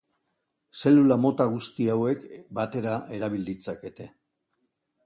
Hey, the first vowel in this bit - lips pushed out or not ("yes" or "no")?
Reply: no